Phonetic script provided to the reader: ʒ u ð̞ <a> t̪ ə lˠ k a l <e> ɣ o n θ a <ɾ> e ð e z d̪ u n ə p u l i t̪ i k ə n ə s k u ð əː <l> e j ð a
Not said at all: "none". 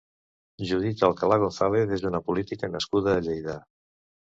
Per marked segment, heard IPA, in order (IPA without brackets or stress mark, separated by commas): i, a, l, ʎ